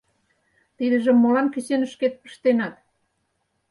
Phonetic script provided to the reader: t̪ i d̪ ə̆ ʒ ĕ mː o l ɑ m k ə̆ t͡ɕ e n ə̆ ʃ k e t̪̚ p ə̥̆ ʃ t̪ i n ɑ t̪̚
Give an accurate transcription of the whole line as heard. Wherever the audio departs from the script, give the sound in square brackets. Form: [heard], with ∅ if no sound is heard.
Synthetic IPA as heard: t̪ i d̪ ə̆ ʒ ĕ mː o l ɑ [n] k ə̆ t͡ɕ e n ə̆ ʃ k e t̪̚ p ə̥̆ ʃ t̪ [e] n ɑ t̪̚